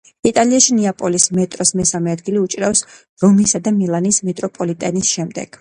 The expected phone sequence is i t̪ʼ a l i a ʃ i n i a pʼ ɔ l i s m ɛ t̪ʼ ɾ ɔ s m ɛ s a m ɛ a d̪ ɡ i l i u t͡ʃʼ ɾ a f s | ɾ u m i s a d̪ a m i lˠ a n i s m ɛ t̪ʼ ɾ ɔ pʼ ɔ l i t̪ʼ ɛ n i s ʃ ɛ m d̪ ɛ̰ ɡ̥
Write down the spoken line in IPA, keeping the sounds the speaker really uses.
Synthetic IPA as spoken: i t̪ʼ a l i a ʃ i n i a pʼ ɔ l i s m ɛ t̪ʼ ɾ ɔ s m ɛ s a m ɛ a d̪ ɡ i l i u t͡ʃʼ ɾ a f s | ɾ ɔ m i s a d̪ a m i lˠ a n i s m ɛ t̪ʼ ɾ ɔ pʼ ɔ l i t̪ʼ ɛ n i s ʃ ɛ m d̪ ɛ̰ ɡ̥